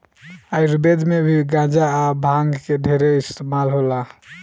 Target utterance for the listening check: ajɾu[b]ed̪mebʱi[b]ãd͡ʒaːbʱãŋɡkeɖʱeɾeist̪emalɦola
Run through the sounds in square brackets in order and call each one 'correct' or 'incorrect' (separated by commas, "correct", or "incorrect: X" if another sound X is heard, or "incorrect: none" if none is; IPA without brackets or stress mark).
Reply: correct, incorrect: ɡ